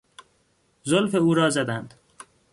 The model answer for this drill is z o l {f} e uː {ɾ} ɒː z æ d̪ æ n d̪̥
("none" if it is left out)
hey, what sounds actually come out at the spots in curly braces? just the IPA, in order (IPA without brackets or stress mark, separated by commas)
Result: f, ɾ